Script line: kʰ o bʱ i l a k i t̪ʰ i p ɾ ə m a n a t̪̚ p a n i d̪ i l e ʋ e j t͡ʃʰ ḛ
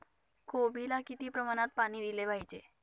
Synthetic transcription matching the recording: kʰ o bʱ i l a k i t̪ i p ɾ ə m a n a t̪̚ p a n i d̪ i l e ʋ a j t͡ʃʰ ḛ

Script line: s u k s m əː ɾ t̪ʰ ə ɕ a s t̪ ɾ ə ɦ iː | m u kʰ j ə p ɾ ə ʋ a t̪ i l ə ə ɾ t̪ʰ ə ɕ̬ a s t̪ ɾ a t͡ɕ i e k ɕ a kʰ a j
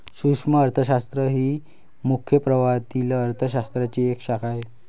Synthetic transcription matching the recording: s u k ʂ m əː ɾ t̪ʰ ə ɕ a s t̪ ɾ ə ɦ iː | m u kʰ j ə p ɾ ə ʋ a t̪ i l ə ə ɾ t̪ʰ ə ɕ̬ a s t̪ ɾ a t͡ɕ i e k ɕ a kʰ a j

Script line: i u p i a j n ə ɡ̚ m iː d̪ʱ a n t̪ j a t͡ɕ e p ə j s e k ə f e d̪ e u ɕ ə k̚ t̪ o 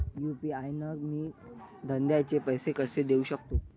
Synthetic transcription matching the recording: j u p i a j n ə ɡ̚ m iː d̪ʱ ə n d̪ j a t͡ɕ e p ə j s e k ə s e d̪ e u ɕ ə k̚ t̪ o

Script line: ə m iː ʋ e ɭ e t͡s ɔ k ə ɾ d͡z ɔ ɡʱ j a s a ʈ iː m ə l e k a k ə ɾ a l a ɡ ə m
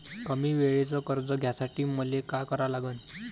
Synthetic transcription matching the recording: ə m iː ʋ e ɭ e t͡s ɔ k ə ɾ d͡z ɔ ɡʱ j a s a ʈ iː m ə l e k a k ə ɾ a l a ɡ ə n

